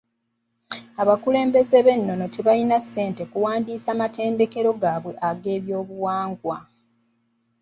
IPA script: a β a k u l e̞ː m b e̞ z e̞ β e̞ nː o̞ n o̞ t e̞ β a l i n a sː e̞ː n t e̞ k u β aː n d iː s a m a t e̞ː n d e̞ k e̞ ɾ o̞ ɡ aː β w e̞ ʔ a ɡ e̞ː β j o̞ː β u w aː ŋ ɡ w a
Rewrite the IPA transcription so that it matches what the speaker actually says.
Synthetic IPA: a β a k u l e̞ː m b e̞ z e̞ β e̞ nː o̞ n o̞ t e̞ β a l i n a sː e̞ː n t e̞ k u w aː n d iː s a m a t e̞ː n d e̞ k e̞ ɾ o̞ ɡ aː β w e̞ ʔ a ɡ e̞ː β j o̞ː β u w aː ŋ ɡ w a